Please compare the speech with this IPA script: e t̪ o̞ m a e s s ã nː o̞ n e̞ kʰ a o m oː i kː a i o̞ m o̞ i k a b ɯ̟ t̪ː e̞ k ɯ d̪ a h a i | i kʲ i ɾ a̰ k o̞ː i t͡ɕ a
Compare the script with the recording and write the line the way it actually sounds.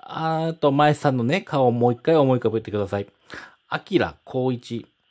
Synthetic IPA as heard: a t̪ o̞ m a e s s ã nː o̞ n e̞ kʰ a o m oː i kː a i o̞ m o̞ i k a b ɯ̟ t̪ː e̞ k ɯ d̪ a s a i | a kʲ i ɾ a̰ kʰ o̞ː i t͡ɕ i